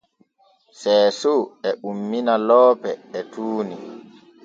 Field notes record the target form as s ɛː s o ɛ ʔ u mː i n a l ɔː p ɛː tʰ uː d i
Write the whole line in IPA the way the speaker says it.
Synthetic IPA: s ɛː s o ɛ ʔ u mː i n a l ɔː p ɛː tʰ uː n i